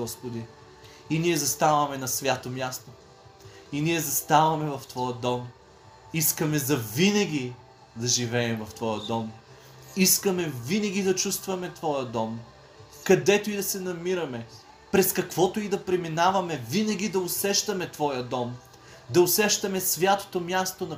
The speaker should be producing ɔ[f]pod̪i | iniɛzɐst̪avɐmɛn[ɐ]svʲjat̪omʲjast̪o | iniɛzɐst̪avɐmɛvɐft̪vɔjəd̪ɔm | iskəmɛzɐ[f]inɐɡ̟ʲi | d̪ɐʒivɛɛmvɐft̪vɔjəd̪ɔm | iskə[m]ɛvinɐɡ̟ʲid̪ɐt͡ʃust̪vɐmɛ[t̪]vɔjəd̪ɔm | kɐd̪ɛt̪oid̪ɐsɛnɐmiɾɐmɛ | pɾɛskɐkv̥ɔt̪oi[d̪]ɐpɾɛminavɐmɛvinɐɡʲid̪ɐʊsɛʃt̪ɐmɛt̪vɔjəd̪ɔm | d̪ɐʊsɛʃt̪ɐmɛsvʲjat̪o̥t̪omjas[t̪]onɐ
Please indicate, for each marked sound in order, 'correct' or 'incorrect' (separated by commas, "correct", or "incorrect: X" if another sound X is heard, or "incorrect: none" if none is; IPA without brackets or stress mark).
incorrect: s, correct, incorrect: v, correct, correct, correct, correct